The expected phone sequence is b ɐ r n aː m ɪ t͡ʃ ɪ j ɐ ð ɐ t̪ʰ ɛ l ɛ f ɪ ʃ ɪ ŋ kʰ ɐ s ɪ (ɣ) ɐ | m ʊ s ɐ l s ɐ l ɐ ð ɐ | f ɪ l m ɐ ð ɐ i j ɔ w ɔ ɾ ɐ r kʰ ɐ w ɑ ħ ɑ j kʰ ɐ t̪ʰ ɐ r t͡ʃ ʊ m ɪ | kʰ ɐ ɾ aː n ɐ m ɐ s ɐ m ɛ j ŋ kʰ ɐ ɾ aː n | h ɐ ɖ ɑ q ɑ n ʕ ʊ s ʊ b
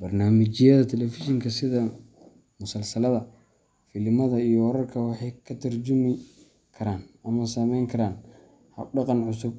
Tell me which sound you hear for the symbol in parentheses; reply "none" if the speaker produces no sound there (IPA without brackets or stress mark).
ð